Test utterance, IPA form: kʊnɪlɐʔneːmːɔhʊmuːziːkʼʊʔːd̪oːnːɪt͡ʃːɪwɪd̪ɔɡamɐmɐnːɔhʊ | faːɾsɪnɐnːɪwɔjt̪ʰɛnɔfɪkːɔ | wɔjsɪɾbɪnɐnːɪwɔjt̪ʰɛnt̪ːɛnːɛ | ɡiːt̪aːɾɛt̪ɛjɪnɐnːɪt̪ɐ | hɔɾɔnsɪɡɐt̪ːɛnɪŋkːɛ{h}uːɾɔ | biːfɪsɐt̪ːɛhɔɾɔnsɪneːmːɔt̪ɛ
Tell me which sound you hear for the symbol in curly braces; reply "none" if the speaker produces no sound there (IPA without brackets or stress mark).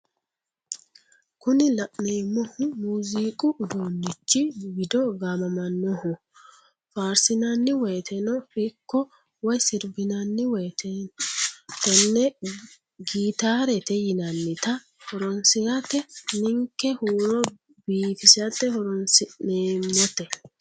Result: h